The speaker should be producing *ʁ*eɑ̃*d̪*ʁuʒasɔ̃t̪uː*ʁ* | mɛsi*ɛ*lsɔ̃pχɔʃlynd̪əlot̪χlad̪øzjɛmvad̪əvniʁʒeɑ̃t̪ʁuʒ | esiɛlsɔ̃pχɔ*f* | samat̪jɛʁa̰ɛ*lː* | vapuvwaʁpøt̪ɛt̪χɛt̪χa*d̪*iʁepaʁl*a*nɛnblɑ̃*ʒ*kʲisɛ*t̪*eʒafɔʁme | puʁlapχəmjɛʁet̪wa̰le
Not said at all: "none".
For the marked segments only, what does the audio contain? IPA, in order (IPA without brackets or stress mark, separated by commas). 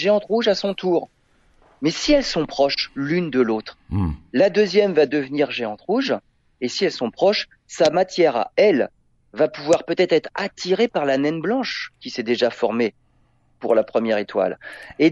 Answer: ʒ, t̪, ʁ, ɛ, ʃ, l, t̪, a, ʃ, d̪